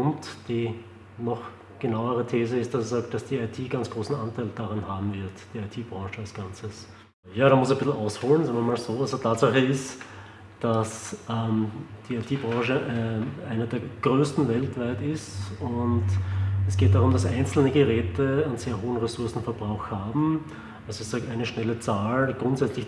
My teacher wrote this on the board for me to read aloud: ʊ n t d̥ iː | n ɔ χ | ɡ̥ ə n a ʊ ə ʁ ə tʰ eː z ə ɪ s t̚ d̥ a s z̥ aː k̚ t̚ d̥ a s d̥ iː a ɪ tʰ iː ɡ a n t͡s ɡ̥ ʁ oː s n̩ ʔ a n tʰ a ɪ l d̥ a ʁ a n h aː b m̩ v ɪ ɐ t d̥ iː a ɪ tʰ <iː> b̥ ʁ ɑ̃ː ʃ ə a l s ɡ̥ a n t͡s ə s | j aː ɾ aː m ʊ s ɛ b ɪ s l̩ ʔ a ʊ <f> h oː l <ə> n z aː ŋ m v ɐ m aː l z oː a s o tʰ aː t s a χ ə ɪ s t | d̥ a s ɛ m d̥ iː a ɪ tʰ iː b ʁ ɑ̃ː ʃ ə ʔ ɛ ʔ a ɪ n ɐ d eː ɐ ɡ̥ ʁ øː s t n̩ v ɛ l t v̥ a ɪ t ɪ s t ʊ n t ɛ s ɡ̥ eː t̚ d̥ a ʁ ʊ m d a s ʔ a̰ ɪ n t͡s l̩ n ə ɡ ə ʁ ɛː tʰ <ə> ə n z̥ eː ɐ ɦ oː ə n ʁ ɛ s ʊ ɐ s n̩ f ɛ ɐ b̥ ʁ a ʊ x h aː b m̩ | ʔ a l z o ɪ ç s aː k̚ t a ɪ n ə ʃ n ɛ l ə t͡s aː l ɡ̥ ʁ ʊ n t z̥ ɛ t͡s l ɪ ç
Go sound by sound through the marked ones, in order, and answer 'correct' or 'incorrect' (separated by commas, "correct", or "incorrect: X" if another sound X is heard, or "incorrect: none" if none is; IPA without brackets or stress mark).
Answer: correct, incorrect: s, correct, correct